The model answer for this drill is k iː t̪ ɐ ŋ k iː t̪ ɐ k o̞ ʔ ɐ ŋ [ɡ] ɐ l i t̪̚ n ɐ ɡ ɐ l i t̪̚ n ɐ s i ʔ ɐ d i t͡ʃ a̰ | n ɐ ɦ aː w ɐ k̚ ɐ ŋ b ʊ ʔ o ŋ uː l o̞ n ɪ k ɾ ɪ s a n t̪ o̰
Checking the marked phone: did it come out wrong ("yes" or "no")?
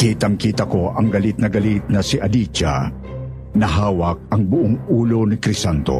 no